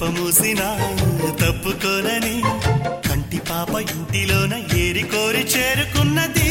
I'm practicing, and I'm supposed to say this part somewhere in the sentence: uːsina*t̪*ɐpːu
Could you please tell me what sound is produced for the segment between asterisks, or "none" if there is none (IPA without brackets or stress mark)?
t̪